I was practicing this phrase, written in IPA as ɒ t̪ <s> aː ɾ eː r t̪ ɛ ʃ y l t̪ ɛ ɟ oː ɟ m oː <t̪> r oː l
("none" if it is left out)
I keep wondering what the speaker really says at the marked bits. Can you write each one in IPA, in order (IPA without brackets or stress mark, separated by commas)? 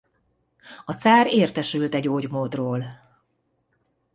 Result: s, d̪